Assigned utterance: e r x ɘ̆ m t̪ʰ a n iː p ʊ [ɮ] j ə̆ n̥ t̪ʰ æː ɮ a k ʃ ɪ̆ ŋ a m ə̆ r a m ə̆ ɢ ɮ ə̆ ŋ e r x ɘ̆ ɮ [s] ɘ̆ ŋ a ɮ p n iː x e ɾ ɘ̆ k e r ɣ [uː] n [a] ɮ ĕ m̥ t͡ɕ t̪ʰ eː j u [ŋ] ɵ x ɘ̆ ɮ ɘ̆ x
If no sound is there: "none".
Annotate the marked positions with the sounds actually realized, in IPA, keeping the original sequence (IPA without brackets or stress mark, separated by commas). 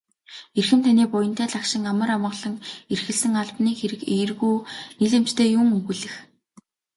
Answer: none, s, uː, i, ŋ